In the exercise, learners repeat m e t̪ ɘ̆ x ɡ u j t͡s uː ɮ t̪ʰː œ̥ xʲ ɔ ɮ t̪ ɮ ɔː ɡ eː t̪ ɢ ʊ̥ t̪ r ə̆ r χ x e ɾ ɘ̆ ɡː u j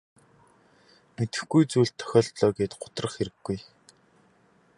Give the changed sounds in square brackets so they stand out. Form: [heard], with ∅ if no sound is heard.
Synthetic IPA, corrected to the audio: m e t̪ ɘ̆ x ɡ u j t͡s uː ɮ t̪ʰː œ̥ xʲ [ɔː] ɮ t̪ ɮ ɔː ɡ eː t̪ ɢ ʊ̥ t̪ r ə̆ [∅] χ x e ɾ ɘ̆ ɡː u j